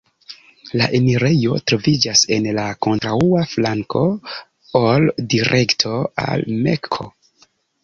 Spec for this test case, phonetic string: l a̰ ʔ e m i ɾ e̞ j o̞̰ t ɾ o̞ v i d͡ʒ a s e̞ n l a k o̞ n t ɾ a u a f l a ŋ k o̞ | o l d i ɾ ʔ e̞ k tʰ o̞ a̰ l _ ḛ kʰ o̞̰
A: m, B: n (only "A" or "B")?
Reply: A